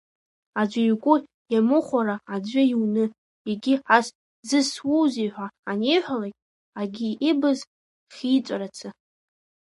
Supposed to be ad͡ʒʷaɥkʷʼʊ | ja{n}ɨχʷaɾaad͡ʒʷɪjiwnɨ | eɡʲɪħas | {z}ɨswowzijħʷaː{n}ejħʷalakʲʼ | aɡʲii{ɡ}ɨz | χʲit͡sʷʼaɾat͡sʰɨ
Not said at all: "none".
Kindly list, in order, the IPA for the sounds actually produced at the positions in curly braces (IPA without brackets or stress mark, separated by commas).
m, z, n, b